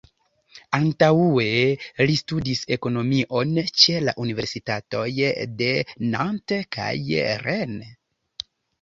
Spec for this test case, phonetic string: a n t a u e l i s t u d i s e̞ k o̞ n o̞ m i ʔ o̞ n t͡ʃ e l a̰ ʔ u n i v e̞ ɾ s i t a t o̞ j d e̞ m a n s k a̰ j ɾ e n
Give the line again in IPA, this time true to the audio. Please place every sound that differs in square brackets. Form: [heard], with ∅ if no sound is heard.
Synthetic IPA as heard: a n t a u e l i s t u d i s e̞ k o̞ n o̞ m i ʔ o̞ n t͡ʃ e l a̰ ʔ u n i v e̞ ɾ s i t a t o̞ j d e̞ [n] a n [t] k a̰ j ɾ e n